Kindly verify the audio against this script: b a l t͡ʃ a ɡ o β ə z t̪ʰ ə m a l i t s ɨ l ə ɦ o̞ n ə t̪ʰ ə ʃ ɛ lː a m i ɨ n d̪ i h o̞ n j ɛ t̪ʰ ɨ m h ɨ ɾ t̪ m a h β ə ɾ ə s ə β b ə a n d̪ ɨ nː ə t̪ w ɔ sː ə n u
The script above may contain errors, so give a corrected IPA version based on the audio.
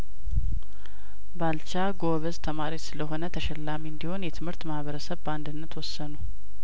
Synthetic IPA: b a l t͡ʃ a ɡ o β ə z t̪ʰ ə m a ɾ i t s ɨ l ə ɦ o̞ n ə t̪ʰ ə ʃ ɛ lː a m i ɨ n d̪ i h o̞ n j ɛ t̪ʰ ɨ m h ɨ ɾ t̪ m a h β ə ɾ ə s ə β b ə a n d̪ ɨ nː ə t̪ w ɔ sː ə n u

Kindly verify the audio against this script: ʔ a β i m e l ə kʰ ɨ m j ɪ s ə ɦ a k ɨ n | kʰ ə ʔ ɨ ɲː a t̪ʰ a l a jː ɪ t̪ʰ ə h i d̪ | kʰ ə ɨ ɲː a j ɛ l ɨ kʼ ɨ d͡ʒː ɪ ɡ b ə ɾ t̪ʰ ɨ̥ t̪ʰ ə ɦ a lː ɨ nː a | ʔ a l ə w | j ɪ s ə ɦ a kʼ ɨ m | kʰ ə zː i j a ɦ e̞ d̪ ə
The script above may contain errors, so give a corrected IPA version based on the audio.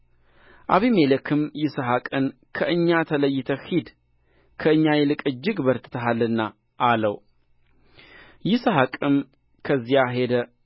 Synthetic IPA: ʔ a β i m e l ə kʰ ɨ m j ɪ s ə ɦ a kʼ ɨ n | kʰ ə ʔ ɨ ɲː a t̪ʰ ə l ə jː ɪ t̪ʰ ə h i d̪ | kʰ ə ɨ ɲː a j ɛ l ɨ kʼ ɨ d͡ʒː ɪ ɡ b ə ɾ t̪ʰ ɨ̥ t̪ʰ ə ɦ a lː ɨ nː a | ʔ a l ə w | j ɪ s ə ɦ a kʼ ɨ m | kʰ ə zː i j a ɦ e̞ d̪ ə

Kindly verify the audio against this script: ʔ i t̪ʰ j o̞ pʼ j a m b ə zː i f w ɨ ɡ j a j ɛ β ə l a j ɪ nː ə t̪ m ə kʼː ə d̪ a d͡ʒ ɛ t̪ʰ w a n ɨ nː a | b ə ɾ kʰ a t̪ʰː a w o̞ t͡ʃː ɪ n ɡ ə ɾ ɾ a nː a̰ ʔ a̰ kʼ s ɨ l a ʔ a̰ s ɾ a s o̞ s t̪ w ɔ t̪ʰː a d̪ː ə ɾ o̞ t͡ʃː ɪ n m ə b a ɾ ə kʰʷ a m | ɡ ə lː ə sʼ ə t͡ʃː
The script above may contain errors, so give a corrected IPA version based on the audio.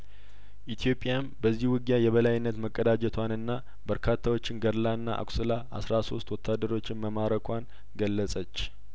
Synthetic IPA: ʔ i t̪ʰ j o̞ pʼ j a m b ə zː i h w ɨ ɡ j a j ɛ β ə l a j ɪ nː ə t̪ m ə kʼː ə d̪ a d͡ʒ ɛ t̪ʰ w a n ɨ nː a | b ə ɾ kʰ a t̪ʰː a w o̞ t͡ʃː ɪ n ɡ ə ɾ l a nː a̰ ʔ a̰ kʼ s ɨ l a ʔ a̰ s ɾ a s o̞ s t̪ w ɔ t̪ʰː a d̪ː ə ɾ o̞ t͡ʃː ɪ n m ə m a ɾ ə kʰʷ a n | ɡ ə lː ə sʼ ə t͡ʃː

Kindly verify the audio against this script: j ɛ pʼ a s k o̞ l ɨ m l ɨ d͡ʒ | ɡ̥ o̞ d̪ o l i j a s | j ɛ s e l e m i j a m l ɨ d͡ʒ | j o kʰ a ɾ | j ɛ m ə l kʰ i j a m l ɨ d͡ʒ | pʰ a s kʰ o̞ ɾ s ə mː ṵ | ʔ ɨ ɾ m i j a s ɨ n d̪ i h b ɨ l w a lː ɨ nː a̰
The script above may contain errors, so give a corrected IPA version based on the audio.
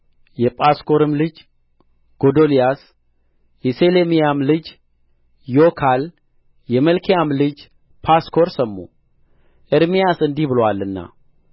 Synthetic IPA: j ɛ pʼ a s k o̞ ɾ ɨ m l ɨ d͡ʒ | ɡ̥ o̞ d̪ o l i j a s | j ɛ s e l e m i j a m l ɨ d͡ʒ | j o kʰ a l | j ɛ m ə l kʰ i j a m l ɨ d͡ʒ | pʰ a s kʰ o̞ ɾ s ə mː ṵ | ʔ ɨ ɾ m i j a s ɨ n d̪ i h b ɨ l w a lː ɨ nː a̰

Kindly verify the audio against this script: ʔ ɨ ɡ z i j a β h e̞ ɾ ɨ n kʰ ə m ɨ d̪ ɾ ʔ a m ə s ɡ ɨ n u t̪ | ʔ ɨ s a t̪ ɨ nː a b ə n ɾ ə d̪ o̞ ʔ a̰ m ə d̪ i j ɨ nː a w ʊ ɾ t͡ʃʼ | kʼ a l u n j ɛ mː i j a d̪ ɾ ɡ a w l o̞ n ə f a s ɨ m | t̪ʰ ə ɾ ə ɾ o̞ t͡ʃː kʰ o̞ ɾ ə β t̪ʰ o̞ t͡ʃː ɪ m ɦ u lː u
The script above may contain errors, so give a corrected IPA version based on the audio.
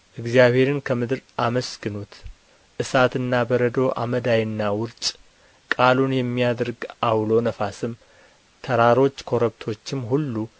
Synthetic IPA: ʔ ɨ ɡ z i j a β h e̞ ɾ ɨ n kʰ ə m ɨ d̪ ɾ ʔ a m ə s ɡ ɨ n u t̪ | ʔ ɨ s a t̪ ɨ nː a b ə ɾ ə d̪ o̞ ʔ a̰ m ə d̪ a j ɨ nː a w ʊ ɾ t͡ʃʼ | kʼ a l u n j ɛ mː i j a d̪ ɾ ɡ a w l o̞ n ə f a s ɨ m | t̪ʰ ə ɾ a ɾ o̞ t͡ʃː kʰ o̞ ɾ ə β t̪ʰ o̞ t͡ʃː ɪ m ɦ u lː u

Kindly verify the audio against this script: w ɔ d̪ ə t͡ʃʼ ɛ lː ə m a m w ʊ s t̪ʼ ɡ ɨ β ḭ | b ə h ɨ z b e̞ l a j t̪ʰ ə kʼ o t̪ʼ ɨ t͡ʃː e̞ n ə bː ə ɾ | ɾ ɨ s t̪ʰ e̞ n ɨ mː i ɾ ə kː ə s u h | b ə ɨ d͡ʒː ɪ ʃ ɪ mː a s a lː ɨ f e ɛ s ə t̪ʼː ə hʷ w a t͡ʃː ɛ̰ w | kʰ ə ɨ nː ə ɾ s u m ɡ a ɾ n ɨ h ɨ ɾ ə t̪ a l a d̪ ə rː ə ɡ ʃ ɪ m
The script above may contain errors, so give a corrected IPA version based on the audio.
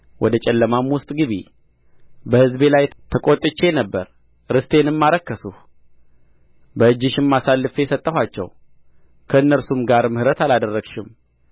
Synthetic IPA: w ɔ d̪ ə t͡ʃʼ ɛ lː ə m a m w ʊ s t̪ʼ ɡ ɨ β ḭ | b ə h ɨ z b e̞ l a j t̪ʰ ə kʼ o t̪ʼ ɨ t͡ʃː e̞ n ə bː ə ɾ | ɾ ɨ s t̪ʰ e̞ n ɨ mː a ɾ ə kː ə s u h | b ə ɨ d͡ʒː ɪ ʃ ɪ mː a s a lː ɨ f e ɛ s ə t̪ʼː ə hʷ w a t͡ʃː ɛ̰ w | kʰ ə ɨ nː ə ɾ s u m ɡ a ɾ m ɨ h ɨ ɾ ə t̪ a l a d̪ ə rː ə ɡ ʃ ɪ m

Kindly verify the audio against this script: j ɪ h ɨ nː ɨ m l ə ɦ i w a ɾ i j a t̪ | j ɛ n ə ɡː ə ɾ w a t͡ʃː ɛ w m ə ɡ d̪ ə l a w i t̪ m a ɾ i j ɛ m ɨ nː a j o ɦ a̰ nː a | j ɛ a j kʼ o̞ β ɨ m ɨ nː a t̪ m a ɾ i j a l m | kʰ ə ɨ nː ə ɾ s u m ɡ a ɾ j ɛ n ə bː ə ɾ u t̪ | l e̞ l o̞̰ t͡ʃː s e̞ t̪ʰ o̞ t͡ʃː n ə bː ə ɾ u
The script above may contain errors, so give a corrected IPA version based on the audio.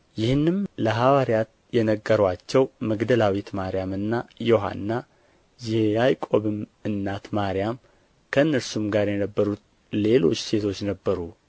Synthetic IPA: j ɪ h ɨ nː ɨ m l ə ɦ a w a ɾ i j a t̪ | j ɛ n ə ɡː ə ɾ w a t͡ʃː ɛ w m ə ɡ d̪ ə l a w i t̪ m a ɾ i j a m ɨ nː a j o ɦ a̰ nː a | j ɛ a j kʼ o̞ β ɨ m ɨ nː a t̪ m a ɾ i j a m | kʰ ə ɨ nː ə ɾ s u m ɡ a ɾ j ɛ n ə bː ə ɾ u t̪ | l e̞ l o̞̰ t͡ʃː s e̞ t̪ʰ o̞ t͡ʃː n ə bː ə ɾ u

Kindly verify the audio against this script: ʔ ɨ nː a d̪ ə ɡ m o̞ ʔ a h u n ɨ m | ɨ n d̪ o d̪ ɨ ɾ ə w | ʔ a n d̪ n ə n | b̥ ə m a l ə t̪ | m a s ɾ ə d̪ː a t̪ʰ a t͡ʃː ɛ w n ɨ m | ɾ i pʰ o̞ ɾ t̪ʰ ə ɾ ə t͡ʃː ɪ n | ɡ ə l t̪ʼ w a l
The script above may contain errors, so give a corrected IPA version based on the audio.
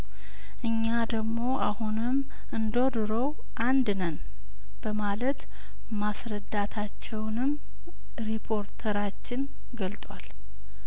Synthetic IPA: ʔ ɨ ɲː a d̪ ə ɡ m o̞ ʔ a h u n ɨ m | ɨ n d̪ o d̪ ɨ ɾ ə w | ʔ a n d̪ n ə n | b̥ ə m a l ə t̪ | m a s ɾ ə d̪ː a t̪ʰ a t͡ʃː ɛ w n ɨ m | ɾ i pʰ o̞ ɾ t̪ʰ ə ɾ a t͡ʃː ɪ n | ɡ ə l t̪ʼ w a l

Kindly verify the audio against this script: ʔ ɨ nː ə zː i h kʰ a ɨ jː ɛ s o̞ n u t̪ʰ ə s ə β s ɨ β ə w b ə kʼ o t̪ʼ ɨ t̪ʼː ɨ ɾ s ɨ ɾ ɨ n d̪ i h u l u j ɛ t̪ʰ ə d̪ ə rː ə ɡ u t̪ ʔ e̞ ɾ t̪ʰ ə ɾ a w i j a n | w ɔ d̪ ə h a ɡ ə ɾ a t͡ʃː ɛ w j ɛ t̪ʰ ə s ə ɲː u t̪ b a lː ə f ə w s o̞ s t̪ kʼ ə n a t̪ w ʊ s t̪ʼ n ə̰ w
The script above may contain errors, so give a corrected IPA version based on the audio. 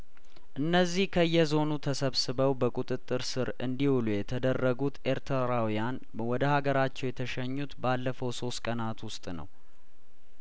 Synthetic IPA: ʔ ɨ nː ə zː i h kʰ ə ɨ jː ɛ z o̞ n u t̪ʰ ə s ə β s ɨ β ə w b ə kʼ u t̪ʼ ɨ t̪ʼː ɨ ɾ s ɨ ɾ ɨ n d̪ i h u l u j ɛ t̪ʰ ə d̪ ə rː ə ɡ u t̪ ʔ e̞ ɾ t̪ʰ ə ɾ a w i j a n | w ɔ d̪ ə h a ɡ ə ɾ a t͡ʃː ɛ w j ɛ t̪ʰ ə ʃ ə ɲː u t̪ b a lː ə f ə w s o̞ s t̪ kʼ ə n a t̪ w ʊ s t̪ʼ n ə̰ w

